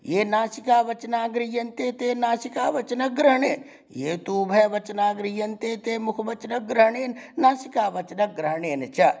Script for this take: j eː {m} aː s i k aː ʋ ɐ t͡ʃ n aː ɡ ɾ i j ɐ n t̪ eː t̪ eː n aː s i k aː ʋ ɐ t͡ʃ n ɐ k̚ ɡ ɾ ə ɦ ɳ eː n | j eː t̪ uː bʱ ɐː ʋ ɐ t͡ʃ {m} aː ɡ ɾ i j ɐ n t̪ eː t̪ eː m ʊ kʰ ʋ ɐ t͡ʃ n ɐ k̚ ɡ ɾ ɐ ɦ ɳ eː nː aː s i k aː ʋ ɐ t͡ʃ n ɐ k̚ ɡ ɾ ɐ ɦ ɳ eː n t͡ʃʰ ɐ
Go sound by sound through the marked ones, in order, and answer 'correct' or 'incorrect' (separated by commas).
incorrect, incorrect